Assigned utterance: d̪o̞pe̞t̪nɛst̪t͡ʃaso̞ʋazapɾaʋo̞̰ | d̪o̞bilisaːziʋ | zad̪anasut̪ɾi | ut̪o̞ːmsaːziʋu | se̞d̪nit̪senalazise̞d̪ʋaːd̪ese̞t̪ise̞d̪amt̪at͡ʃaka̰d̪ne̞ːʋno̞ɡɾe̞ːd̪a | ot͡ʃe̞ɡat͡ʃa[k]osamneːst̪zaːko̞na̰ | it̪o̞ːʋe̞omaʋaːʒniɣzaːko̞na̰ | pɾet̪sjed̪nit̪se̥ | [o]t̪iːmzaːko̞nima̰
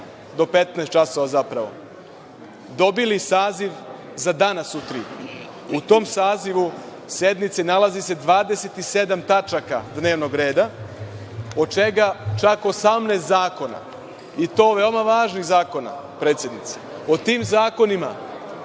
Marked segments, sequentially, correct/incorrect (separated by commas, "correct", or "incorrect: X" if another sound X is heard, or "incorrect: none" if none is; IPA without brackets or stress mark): correct, correct